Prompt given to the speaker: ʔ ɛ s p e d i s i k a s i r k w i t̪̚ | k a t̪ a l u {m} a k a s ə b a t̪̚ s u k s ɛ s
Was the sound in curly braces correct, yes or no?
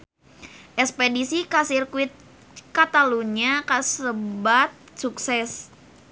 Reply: no